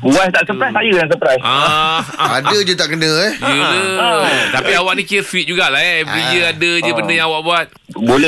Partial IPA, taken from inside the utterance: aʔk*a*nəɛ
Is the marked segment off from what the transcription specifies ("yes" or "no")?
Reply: yes